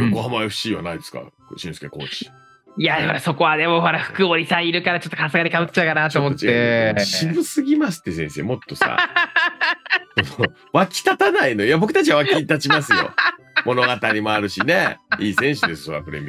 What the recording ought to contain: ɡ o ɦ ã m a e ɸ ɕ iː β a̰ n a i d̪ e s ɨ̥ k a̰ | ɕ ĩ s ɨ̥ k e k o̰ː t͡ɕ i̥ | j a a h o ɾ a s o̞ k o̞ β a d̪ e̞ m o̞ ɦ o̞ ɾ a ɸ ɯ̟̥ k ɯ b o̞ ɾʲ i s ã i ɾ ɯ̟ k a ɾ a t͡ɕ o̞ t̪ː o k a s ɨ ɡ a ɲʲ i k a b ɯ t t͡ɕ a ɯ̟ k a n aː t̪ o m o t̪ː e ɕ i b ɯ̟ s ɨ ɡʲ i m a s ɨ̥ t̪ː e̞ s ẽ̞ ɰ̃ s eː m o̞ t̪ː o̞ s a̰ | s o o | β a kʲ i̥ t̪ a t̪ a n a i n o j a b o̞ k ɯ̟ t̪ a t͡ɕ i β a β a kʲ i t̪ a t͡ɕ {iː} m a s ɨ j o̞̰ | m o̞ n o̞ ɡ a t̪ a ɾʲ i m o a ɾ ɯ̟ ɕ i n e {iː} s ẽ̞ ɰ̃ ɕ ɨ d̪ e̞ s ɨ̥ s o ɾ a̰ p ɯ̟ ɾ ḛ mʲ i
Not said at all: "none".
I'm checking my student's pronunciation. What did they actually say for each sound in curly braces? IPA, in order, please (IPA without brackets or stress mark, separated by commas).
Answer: i, iː